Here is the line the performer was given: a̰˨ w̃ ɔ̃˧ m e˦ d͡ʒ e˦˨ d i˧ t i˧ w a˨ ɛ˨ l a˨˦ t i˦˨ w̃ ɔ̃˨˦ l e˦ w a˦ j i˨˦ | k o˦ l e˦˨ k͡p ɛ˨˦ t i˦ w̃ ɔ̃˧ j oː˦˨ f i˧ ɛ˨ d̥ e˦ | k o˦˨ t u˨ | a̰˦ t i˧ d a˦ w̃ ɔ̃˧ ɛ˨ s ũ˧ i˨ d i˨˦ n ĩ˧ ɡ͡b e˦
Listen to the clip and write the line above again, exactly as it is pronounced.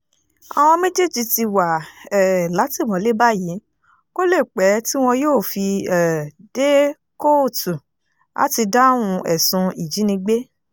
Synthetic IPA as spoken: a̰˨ w̃ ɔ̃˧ m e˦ d͡ʒ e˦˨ d͡ʒ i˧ t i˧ w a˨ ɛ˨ l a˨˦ t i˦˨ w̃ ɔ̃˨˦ l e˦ b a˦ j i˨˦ | k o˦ l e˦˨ k͡p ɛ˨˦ t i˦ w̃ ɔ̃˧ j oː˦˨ f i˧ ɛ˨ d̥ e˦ | k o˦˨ t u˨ | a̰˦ t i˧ d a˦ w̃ ũ˧ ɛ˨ s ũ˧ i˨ d͡ʒ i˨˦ n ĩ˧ ɡ͡b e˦

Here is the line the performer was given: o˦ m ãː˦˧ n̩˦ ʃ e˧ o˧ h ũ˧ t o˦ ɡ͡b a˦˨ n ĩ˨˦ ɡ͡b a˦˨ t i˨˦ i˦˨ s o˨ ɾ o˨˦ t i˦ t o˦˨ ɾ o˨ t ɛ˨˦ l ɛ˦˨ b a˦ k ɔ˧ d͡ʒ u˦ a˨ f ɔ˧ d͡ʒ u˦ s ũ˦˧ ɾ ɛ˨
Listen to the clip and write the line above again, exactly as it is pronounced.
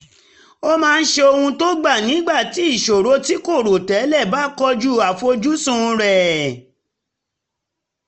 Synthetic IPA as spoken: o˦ m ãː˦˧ n̩˦ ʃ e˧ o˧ h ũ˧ t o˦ ɡ͡b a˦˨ n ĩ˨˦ ɡ͡b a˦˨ t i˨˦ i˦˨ ʃ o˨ ɾ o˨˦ t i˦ k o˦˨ ɾ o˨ t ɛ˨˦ l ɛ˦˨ b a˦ k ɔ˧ d͡ʒ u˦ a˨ f o˧ d͡ʒ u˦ s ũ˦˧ ɾ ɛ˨

